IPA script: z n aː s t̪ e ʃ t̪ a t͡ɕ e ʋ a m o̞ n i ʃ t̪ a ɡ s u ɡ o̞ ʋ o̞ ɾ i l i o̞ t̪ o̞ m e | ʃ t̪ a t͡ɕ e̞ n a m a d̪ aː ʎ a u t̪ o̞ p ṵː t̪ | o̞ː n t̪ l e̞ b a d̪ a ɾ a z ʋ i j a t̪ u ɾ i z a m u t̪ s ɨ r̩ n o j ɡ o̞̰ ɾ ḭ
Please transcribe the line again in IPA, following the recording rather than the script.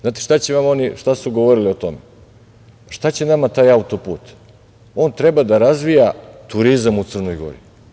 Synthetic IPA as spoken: z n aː t̪ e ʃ t̪ a t͡ɕ e ʋ a m o̞ n i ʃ t̪ a s u ɡ o̞ ʋ o̞ ɾ i l i o̞ t̪ o̞ m e | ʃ t̪ a t͡ɕ e̞ n a m a t̪ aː j a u t̪ o̞ p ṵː t̪ | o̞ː n t̪ ɾ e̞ b a d̪ a ɾ a z ʋ i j a t̪ u ɾ i z a m u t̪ s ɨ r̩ n o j ɡ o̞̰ ɾ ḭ